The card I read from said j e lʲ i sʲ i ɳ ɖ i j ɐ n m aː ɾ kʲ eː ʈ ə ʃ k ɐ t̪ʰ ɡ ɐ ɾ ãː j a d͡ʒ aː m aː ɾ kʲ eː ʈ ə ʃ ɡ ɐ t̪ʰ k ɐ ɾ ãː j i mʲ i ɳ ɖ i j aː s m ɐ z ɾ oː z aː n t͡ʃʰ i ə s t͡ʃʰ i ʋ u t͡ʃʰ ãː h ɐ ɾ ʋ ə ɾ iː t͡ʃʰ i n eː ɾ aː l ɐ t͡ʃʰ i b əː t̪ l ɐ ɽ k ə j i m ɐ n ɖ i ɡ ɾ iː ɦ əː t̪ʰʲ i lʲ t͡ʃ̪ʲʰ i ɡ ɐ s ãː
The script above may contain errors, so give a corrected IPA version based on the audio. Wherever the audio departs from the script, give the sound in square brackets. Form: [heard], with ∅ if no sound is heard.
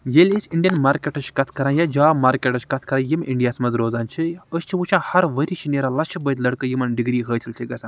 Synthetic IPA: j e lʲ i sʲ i ɳ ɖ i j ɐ n m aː ɾ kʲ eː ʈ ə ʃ k ɐ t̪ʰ [k] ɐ ɾ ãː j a d͡ʒ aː m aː ɾ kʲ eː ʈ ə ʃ [k] ɐ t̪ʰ k ɐ ɾ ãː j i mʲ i ɳ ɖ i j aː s m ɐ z ɾ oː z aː n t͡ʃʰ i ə s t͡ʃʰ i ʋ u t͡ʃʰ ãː h ɐ ɾ ʋ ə ɾ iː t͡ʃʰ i n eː ɾ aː l ɐ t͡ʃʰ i b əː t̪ l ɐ ɽ k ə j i m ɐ n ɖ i ɡ ɾ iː ɦ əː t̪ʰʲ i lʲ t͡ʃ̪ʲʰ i ɡ ɐ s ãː

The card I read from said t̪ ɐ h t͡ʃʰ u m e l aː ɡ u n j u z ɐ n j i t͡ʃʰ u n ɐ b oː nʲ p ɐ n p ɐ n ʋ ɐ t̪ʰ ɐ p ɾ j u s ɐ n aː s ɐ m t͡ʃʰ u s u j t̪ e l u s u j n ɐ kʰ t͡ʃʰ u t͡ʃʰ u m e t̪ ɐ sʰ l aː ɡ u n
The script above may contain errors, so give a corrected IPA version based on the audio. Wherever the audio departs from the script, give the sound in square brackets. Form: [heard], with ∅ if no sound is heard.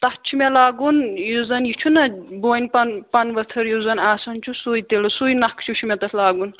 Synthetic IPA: t̪ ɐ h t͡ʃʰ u m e l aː ɡ u n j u z ɐ n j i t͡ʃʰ u n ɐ b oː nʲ p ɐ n p ɐ n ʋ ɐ t̪ʰ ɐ [∅] ɾ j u [z] ɐ n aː s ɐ [n] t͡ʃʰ u s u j t̪ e l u s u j n ɐ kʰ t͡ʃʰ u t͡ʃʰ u m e t̪ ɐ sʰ l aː ɡ u n

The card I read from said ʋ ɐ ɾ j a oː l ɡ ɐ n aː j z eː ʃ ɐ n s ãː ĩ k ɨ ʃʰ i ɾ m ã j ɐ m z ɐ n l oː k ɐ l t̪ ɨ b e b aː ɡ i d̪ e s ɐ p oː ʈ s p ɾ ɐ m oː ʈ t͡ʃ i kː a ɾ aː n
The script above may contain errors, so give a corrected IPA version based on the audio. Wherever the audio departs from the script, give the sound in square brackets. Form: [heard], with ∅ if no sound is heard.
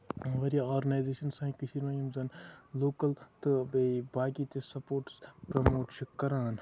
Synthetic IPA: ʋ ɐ ɾ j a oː [ɾ] ɡ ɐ n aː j z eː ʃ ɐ n s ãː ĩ k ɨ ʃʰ i ɾ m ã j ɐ m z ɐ n l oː k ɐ l t̪ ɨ b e b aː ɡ i [t̪] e s ɐ p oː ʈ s p ɾ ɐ m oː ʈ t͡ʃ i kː [ɐ] ɾ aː n

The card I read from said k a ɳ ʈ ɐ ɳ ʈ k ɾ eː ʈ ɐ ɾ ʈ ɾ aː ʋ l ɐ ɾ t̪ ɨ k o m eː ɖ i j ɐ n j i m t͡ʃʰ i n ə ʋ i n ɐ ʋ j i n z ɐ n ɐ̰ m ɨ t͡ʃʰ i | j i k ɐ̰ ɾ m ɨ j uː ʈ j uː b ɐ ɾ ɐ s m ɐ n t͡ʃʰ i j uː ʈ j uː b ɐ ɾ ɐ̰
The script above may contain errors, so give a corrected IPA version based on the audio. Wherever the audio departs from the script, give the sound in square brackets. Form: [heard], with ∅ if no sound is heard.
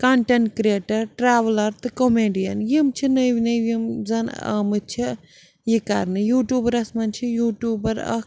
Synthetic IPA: k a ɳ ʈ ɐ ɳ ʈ k ɾ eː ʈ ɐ ɾ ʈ ɾ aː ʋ l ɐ ɾ t̪ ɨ k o m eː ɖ i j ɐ n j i m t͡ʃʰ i n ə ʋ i n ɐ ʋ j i [m] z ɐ n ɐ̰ m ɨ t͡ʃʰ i | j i k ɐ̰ ɾ [n] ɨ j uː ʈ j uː b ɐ ɾ ɐ s m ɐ n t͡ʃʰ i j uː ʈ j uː b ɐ ɾ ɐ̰

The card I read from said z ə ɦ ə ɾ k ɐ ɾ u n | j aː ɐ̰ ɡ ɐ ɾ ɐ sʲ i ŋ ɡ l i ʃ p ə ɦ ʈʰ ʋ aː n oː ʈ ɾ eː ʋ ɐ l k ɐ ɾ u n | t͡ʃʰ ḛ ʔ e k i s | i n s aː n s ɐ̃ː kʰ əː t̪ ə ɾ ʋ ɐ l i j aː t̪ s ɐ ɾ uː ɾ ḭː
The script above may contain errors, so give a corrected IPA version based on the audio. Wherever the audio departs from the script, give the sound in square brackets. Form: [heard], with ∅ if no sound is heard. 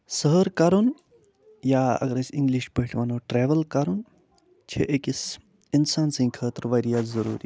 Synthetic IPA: [s] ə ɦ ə ɾ k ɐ ɾ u n | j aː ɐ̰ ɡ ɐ ɾ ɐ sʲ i ŋ ɡ l i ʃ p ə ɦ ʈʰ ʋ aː n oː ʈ ɾ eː ʋ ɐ l k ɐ ɾ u n | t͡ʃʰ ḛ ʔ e k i s | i n s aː n s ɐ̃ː kʰ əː t̪ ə ɾ ʋ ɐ [ɾ] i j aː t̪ [z] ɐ ɾ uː ɾ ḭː

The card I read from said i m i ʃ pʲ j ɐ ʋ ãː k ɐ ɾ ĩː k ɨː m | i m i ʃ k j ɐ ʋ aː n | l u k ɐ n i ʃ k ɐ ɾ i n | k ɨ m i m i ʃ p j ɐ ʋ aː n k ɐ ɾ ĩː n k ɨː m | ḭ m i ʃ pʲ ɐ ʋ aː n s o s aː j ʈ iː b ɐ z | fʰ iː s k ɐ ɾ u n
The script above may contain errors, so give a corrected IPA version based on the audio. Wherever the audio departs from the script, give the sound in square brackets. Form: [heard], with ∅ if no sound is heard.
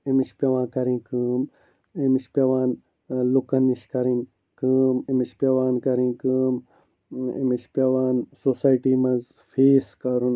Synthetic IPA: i m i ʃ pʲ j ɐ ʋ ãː k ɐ ɾ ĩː k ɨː m | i m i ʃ [p] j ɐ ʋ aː n | l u k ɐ n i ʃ k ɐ ɾ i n | k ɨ m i m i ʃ p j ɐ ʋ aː n k ɐ ɾ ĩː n k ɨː m | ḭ m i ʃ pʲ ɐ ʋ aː n s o s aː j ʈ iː [m] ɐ z | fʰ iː s k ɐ ɾ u n

